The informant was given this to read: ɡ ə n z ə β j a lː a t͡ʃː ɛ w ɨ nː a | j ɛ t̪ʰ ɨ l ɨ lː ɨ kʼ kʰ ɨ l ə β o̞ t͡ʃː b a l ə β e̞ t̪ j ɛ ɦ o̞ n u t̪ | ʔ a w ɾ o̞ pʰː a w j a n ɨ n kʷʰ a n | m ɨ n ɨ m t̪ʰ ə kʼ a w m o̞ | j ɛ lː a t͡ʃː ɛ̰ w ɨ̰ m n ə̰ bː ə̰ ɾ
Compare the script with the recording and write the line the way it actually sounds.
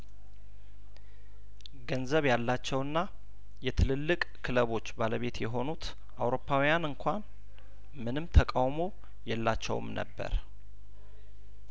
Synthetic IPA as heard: ɡ ə n z ə β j a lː a t͡ʃː ɛ w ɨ nː a | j ɛ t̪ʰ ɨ l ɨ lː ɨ kʼ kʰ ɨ l ə β o̞ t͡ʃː b a l ə β e̞ t̪ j ɛ ɦ o̞ n u t̪ | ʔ a w ɾ o̞ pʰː a w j a n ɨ ŋ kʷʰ a n | m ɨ n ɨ m t̪ʰ ə kʼ a w m o̞ | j ɛ lː a t͡ʃː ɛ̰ w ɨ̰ m n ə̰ bː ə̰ ɾ